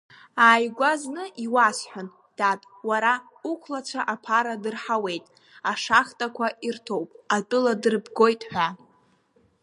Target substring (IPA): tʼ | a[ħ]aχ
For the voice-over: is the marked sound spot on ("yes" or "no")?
no